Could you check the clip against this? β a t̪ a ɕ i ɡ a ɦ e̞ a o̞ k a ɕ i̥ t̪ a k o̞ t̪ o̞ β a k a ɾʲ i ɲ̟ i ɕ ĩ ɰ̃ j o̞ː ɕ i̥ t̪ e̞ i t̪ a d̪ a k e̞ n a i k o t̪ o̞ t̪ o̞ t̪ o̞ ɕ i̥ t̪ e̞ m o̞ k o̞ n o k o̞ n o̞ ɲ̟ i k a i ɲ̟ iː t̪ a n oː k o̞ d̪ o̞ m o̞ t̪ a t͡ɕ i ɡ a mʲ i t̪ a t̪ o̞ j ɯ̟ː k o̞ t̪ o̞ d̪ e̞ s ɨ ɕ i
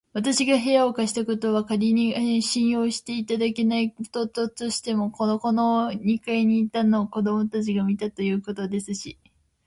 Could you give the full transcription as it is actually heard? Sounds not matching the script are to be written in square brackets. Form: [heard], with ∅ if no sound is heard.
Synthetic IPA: β a t̪ a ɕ i ɡ a ɦ e̞ a o̞ k a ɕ i̥ t̪ a k o̞ t̪ o̞ β a k a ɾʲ i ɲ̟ i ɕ ĩ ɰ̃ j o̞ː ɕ i̥ t̪ e̞ i t̪ a d̪ a k e̞ n a i k o t̪ o̞ t̪ o̞ t̪ o̞ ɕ i̥ t̪ e̞ m o̞ k o̞ n o k o̞ n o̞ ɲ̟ i k a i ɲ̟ iː t̪ a n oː k o̞ d̪ o̞ m o̞ t̪ a t͡ɕ i ɡ a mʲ i t̪ a t̪ o̞ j ɯ̟ː k o̞ t̪ o̞ d̪ e̞ s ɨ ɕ i

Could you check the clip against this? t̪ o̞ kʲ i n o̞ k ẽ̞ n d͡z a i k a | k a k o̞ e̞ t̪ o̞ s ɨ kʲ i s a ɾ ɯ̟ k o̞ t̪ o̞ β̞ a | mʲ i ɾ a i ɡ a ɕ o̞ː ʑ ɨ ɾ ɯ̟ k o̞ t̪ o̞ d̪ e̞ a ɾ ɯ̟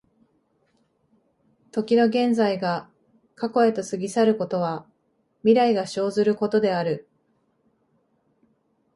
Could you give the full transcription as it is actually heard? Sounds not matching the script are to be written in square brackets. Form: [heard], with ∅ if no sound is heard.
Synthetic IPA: t̪ o̞ kʲ i n o̞ [ɡ] ẽ̞ n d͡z a i [ɡ] a | k a k o̞ e̞ t̪ o̞ s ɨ [ɡʲ] i s a ɾ ɯ̟ k o̞ t̪ o̞ β̞ a | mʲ i ɾ a i ɡ a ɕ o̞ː [z] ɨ ɾ ɯ̟ k o̞ t̪ o̞ d̪ e̞ a ɾ ɯ̟

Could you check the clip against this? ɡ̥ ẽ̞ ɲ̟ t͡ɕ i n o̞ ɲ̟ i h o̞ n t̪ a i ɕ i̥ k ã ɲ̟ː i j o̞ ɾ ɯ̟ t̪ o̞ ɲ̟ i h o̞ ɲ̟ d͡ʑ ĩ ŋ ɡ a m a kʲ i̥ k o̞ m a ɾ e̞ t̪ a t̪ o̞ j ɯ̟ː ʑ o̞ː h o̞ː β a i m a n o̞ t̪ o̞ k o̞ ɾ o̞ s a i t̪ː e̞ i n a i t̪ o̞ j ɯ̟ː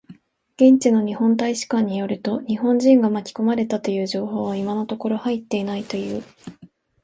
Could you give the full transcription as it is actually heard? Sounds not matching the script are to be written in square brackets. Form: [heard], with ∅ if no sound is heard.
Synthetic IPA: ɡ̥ ẽ̞ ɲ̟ t͡ɕ i n o̞ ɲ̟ i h [õ̞] n t̪ a i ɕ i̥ k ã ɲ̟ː i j o̞ ɾ ɯ̟ t̪ o̞ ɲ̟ i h [õ̞] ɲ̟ d͡ʑ ĩ ŋ ɡ a m a kʲ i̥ k o̞ m a ɾ e̞ t̪ a t̪ o̞ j ɯ̟ː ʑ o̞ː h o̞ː β a i m a n o̞ t̪ o̞ k o̞ ɾ o̞ [h] a i t̪ː e̞ i n a i t̪ o̞ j ɯ̟ː

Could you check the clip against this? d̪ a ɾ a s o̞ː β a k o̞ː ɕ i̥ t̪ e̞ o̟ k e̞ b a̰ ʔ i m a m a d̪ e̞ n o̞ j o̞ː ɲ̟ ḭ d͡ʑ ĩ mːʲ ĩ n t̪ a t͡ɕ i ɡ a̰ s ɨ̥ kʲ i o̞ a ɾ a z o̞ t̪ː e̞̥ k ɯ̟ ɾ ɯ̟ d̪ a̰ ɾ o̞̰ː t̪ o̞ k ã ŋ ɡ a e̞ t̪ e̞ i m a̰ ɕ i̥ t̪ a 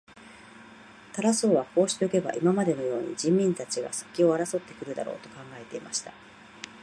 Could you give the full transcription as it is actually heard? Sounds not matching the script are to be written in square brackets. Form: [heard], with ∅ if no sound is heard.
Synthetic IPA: [t̪] a ɾ a s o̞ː β a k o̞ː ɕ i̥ t̪ e̞ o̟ k e̞ b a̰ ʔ i m a m a d̪ e̞ n o̞ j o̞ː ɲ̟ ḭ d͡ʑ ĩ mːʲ ĩ n t̪ a t͡ɕ i ɡ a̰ s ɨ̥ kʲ i o̞ a ɾ a [s] o̞ t̪ː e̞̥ k ɯ̟ ɾ ɯ̟ d̪ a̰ ɾ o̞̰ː t̪ o̞ k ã ŋ ɡ a e̞ t̪ e̞ i m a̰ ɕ i̥ t̪ a

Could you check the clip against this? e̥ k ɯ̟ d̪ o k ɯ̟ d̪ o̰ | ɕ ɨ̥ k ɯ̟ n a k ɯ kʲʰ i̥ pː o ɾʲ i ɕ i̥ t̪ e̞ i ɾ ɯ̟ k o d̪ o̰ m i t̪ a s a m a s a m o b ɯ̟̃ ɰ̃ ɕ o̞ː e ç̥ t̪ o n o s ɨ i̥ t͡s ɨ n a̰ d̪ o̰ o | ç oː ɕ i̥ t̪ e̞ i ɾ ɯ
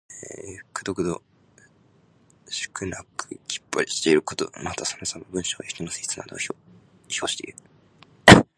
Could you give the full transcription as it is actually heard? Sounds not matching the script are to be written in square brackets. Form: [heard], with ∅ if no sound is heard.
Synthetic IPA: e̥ k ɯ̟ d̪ o k ɯ̟ d̪ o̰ | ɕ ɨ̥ k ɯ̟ n a k ɯ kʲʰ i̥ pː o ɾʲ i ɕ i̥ t̪ e̞ i ɾ ɯ̟ k o [t̪] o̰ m [a] t̪ a s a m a s a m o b ɯ̟̃ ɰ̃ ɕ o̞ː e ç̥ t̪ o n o s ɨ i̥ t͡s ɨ n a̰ d̪ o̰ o | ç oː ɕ i̥ t̪ e̞ i ɾ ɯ

